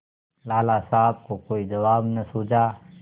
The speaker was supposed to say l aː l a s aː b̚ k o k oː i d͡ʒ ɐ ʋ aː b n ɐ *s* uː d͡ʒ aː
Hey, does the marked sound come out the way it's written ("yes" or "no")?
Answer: yes